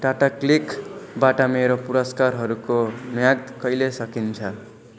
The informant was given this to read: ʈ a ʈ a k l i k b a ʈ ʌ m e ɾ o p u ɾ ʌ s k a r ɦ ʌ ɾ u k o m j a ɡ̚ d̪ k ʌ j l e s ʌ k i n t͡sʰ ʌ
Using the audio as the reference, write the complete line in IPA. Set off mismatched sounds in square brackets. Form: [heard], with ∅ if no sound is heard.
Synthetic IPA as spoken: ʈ a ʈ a k l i k b a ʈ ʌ m e ɾ o p u ɾ ʌ s k a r ɦ ʌ ɾ u k o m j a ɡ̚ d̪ k ʌ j l e s ʌ k i n t͡sʰ ʌ